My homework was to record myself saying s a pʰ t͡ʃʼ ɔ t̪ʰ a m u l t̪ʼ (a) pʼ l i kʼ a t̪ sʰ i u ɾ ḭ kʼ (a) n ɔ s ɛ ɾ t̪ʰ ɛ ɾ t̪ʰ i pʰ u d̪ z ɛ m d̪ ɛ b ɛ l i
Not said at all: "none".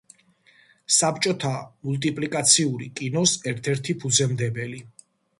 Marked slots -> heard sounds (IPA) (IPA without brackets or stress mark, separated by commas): i, i